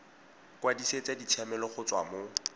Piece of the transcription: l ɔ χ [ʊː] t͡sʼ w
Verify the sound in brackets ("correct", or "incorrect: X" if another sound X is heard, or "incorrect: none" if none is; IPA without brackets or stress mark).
incorrect: ʊ